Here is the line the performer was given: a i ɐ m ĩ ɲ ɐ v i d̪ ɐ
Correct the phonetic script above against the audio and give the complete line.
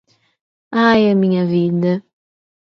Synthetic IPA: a j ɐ m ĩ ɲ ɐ v i d̪ ɐ